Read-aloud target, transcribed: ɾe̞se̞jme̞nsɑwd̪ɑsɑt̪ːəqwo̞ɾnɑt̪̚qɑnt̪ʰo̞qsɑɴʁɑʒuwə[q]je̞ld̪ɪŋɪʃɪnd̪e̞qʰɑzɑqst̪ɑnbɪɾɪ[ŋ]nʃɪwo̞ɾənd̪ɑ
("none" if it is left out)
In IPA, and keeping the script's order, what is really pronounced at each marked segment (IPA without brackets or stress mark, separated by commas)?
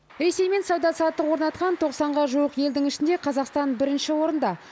q, none